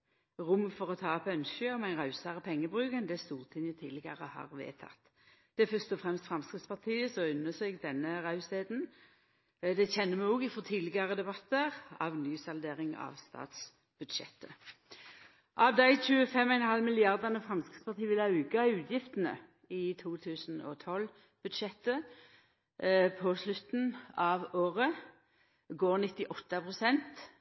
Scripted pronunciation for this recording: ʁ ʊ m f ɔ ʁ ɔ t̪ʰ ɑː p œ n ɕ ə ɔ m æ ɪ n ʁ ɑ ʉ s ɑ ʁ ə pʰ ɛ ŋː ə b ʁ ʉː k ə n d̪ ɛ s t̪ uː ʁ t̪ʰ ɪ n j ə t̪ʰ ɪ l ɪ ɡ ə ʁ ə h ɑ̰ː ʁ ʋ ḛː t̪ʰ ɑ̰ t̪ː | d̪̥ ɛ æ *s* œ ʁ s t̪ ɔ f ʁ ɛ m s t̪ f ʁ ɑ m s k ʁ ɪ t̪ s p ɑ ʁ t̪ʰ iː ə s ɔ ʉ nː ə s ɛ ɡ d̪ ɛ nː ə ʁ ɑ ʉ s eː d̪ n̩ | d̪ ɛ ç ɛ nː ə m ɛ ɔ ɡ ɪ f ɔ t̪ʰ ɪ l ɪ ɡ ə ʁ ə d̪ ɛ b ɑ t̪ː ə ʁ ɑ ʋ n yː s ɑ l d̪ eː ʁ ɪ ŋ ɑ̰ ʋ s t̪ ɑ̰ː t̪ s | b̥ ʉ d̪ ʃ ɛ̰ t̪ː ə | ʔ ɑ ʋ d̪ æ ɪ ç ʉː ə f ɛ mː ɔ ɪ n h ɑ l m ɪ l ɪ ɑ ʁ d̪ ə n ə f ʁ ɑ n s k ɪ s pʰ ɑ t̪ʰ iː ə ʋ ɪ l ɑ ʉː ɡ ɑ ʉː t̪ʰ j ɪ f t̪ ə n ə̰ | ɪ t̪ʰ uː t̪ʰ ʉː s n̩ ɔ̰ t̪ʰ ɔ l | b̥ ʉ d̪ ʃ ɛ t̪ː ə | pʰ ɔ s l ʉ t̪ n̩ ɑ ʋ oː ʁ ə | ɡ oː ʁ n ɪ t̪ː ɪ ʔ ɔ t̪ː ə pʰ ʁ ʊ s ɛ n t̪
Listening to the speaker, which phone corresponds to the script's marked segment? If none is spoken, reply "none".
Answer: f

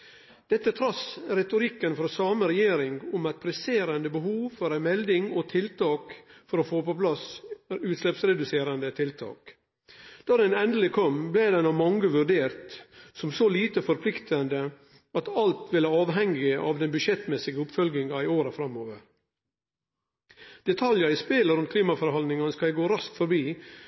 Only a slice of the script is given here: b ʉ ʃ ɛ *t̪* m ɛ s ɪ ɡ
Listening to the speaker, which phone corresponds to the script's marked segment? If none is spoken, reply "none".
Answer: t̪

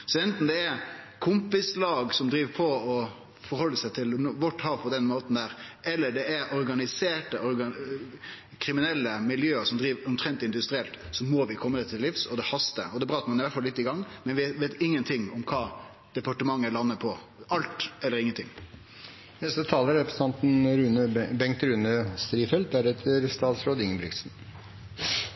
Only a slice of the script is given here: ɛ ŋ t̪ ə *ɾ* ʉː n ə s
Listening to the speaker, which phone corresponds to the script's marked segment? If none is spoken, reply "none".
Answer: ɾ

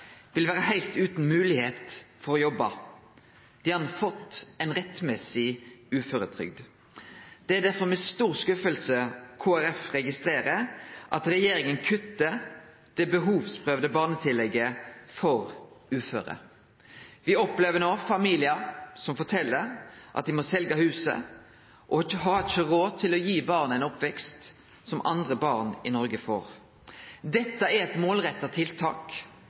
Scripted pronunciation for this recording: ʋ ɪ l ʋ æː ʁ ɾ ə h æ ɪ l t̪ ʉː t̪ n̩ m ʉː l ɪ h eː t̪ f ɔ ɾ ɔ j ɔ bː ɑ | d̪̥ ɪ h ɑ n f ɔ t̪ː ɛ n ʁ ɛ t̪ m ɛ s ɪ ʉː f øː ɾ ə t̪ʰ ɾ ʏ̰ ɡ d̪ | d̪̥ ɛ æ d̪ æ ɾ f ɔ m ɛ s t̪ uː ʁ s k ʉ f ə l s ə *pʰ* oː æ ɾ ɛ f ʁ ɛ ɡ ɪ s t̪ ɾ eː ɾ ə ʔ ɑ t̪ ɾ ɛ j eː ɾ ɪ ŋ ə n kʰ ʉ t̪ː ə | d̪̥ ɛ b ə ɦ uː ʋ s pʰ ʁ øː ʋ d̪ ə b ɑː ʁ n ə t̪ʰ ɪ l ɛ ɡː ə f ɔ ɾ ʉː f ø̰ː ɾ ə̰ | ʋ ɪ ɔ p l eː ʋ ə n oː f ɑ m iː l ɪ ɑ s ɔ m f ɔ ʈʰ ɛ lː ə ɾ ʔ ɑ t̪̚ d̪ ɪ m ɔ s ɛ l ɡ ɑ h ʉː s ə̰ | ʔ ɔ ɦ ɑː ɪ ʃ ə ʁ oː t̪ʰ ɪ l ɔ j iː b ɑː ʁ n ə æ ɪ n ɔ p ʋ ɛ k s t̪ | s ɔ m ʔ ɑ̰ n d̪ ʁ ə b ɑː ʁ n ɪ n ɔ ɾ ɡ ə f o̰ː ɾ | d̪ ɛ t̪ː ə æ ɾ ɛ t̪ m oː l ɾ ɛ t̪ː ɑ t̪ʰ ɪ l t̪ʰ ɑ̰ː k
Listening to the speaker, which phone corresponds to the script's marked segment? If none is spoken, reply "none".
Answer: kʰ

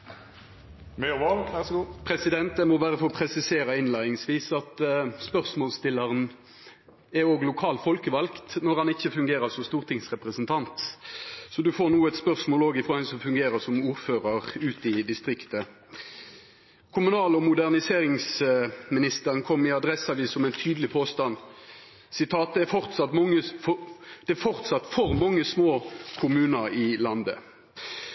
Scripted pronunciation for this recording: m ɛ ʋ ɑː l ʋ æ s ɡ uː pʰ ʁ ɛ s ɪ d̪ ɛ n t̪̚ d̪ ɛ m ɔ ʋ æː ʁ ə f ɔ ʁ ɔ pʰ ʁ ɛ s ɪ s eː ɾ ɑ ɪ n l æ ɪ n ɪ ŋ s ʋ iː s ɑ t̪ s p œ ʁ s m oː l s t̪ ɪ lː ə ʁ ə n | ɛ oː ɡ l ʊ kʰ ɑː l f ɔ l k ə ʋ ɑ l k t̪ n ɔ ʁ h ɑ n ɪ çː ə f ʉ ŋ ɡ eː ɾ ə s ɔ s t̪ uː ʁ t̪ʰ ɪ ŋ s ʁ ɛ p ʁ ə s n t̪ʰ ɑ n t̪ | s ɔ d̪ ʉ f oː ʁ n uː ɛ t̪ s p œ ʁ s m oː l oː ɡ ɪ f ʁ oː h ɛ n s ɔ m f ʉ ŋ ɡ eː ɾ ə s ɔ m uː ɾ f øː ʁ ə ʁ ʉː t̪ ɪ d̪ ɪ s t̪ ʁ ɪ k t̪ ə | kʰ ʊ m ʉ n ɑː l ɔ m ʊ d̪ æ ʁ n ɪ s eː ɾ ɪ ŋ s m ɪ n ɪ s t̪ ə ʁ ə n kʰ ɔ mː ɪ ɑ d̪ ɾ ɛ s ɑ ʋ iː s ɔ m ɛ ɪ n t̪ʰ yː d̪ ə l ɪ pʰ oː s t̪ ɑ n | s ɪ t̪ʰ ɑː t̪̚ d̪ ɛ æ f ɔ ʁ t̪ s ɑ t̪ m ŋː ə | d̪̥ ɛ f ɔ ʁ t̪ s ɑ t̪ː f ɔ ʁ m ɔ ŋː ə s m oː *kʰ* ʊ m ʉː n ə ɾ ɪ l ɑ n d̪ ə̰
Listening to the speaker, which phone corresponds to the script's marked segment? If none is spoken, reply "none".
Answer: kʰ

